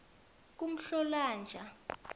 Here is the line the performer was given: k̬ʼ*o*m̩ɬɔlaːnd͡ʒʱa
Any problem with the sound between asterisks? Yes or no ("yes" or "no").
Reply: yes